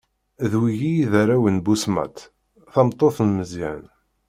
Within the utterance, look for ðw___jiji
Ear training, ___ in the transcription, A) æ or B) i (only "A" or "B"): B